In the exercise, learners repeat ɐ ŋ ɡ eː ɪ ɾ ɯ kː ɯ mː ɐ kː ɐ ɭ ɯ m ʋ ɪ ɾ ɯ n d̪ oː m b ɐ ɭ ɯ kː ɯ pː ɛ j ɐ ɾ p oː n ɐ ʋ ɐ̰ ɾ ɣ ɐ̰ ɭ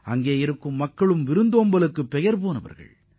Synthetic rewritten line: ɐ ŋ ɡ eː ɪ ɾ ɯ kː ɯ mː ɐ kː ɐ ɭ ɯ m ʋ ɪ ɾ ɯ n d̪ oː m b ɐ l ɯ kː ɯ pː ɛ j ɐ ɾ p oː n ɐ ʋ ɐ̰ ɾ ɣ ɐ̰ ɭ